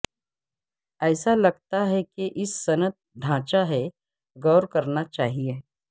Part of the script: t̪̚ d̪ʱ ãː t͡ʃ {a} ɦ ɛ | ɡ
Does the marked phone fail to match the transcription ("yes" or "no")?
no